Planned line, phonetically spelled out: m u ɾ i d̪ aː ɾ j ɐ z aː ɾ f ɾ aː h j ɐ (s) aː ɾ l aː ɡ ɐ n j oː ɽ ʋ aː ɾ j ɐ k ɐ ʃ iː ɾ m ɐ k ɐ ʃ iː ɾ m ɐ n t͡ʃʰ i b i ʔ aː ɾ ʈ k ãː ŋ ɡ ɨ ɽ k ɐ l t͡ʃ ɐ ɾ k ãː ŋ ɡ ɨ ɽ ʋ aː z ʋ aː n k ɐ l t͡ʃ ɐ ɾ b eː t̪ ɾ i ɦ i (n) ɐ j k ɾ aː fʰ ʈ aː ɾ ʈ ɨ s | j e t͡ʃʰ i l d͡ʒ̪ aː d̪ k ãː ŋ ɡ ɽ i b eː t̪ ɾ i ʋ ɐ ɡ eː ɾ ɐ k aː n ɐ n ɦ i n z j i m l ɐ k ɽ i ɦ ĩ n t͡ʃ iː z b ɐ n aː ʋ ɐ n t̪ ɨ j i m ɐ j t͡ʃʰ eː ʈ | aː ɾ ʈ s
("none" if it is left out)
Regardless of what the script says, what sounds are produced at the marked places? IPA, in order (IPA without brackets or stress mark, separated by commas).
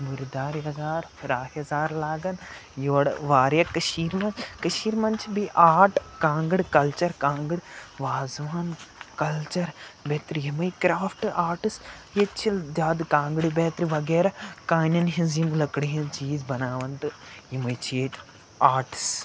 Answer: z, m